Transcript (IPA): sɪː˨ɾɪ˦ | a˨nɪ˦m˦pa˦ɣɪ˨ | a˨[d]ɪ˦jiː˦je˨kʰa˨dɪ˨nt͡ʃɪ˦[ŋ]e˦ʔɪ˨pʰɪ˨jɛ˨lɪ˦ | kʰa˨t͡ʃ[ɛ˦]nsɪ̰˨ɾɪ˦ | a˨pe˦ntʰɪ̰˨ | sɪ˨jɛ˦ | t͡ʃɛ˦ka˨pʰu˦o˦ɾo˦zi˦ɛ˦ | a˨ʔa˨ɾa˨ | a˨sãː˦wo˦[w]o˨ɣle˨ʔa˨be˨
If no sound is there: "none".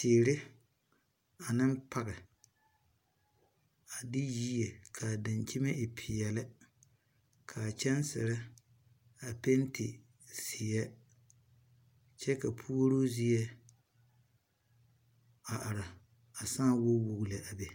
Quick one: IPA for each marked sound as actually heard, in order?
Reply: d, m, ɛ˦, w

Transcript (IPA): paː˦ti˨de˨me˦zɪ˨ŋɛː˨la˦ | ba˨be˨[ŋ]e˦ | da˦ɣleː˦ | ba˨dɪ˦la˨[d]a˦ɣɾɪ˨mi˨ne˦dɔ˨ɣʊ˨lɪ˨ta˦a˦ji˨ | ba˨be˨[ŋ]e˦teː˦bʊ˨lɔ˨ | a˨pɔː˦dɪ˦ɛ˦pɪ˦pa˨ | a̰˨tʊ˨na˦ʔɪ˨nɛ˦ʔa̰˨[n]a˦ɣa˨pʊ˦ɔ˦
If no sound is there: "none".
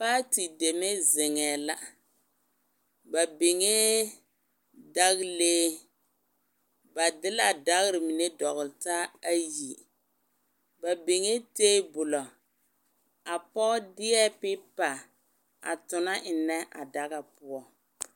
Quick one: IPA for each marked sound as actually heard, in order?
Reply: ŋ, d, ŋ, d

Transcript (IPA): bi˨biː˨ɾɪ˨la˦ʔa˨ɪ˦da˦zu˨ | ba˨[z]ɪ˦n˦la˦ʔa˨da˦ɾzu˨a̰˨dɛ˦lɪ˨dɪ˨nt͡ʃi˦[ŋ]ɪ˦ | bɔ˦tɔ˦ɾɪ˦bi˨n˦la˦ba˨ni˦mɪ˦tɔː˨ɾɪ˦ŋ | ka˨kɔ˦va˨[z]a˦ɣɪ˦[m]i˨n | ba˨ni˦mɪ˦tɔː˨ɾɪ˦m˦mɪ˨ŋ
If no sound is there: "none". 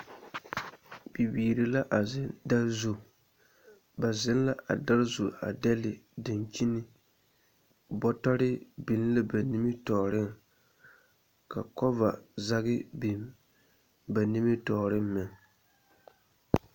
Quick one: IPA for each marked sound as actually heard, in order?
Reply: z, n, z, b

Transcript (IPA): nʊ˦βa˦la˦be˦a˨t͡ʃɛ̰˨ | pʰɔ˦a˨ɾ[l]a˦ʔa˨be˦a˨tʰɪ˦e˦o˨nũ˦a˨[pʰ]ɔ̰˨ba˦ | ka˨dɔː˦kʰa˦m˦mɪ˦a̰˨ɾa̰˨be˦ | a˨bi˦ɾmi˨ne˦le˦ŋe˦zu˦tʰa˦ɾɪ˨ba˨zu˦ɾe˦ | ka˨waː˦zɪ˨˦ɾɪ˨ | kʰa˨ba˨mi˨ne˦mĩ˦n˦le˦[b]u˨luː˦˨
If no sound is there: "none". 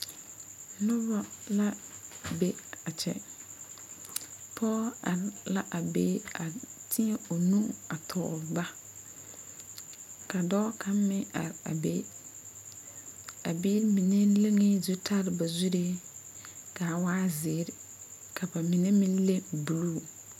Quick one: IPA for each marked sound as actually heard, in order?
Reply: l, tʰ, b

